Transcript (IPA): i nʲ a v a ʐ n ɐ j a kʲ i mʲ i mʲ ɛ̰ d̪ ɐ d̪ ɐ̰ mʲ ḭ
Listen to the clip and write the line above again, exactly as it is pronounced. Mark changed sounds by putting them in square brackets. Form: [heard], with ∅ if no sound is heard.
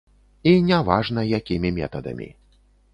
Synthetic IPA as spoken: i nʲ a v a ʐ n ɐ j a kʲ i mʲ i mʲ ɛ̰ [t̪] ɐ d̪ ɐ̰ mʲ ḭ